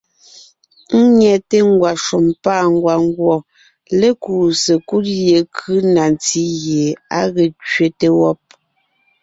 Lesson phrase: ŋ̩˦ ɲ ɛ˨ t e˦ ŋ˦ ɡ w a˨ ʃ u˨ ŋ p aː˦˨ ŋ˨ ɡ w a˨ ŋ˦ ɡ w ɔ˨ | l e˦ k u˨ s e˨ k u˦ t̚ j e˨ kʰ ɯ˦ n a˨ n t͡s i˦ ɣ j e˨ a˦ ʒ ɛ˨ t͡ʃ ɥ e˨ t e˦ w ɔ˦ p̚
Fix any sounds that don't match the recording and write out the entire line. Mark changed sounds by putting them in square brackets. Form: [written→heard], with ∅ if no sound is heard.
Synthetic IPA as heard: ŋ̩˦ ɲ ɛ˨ t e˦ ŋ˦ ɡ w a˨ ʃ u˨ [ŋ→m] p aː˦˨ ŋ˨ ɡ w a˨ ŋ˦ ɡ w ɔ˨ | l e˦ k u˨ s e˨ k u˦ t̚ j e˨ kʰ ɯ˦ n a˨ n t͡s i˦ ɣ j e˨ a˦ [ʒ→ɣ] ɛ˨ t͡ʃ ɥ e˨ t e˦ w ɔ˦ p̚